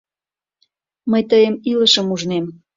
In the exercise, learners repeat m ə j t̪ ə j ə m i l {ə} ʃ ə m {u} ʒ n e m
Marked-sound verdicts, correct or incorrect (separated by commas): correct, correct